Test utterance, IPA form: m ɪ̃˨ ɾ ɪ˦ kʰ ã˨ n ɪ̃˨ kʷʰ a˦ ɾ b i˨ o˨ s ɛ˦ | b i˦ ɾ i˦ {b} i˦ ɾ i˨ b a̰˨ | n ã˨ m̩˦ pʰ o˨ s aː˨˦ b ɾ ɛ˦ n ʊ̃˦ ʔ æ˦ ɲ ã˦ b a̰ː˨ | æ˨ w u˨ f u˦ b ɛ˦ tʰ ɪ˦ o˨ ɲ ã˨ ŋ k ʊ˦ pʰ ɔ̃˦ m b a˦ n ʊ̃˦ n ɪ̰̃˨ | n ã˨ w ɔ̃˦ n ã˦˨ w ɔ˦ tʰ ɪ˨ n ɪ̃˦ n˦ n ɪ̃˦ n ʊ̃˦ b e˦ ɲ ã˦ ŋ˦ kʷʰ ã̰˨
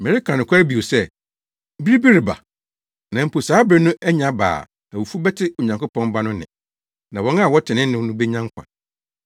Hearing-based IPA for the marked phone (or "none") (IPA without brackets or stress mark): b